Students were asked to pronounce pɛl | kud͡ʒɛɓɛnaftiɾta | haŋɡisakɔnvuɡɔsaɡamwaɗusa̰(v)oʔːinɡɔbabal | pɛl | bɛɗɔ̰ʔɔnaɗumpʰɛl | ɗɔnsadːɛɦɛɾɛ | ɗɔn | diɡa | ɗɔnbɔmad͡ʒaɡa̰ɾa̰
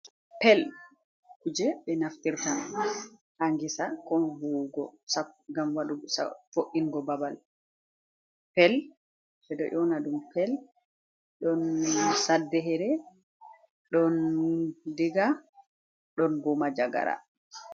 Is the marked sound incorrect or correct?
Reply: incorrect